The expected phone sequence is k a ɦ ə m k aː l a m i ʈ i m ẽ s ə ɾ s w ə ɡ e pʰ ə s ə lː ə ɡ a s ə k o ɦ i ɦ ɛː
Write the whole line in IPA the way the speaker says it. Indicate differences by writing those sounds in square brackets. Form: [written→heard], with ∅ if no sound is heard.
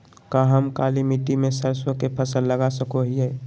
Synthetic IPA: k a ɦ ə m k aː l [a→i] m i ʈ i m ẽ s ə ɾ s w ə [ɡ→k] e pʰ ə s ə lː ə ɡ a s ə k o ɦ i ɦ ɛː